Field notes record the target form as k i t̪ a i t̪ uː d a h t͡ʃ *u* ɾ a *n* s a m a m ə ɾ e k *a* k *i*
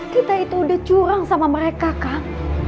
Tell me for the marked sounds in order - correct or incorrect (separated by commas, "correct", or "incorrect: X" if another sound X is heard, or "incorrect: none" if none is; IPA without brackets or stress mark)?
correct, incorrect: ŋ, correct, incorrect: a